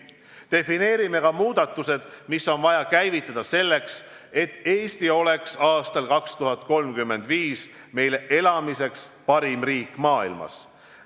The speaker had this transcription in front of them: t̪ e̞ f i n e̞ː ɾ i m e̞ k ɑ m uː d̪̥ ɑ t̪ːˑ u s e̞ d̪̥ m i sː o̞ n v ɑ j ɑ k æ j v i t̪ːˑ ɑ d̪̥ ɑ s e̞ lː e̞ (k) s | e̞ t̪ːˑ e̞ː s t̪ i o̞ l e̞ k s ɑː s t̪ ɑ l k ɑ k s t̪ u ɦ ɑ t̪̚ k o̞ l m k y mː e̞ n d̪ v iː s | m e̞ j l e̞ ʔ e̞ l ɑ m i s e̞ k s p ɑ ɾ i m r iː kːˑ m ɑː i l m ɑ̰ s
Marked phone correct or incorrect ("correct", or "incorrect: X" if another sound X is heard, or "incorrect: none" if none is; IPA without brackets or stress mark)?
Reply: correct